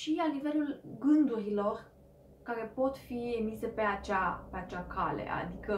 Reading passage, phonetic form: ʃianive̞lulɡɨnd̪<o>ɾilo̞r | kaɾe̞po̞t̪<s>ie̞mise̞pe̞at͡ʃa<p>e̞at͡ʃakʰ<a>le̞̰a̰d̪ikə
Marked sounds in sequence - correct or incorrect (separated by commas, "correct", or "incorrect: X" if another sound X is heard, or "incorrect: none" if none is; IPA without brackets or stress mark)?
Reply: incorrect: u, incorrect: f, correct, correct